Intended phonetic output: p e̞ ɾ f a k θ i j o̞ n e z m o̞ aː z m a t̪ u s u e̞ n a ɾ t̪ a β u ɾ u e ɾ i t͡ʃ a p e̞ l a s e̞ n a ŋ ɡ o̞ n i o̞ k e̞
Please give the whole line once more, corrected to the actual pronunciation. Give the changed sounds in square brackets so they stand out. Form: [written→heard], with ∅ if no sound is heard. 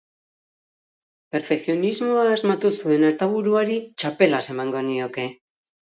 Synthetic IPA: p e̞ ɾ f [a→e] k θ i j o̞ n [e→i] z m o̞ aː z m a t̪ u s u e̞ n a ɾ t̪ a β u ɾ u [e→a] ɾ i t͡ʃ a p e̞ l a s e̞ [n→m] a ŋ ɡ o̞ n i o̞ k e̞